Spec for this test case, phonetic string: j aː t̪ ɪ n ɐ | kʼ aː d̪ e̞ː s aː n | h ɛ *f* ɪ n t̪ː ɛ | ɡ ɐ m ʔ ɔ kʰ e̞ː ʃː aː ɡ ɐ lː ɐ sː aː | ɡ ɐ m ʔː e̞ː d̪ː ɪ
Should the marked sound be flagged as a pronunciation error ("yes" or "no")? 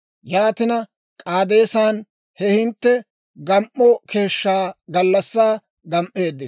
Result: yes